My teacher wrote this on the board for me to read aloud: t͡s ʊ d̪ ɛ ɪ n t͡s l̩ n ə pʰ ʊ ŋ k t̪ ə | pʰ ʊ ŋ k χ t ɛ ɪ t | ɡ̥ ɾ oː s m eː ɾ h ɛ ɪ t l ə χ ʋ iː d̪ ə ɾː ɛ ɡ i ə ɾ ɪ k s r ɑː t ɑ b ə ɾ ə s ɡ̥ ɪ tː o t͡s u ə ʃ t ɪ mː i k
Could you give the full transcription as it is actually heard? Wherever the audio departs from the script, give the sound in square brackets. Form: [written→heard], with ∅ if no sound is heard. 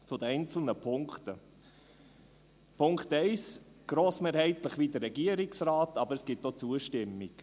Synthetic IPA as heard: t͡s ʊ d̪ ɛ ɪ n t͡s l̩ n ə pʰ ʊ ŋ k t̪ ə | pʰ ʊ ŋ k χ t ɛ ɪ [t→s] | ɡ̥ ɾ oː s m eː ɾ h ɛ ɪ t l ə χ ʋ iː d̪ ə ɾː ɛ ɡ i ə ɾ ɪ k s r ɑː t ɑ b ə ɾ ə s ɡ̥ ɪ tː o t͡s u ə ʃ t ɪ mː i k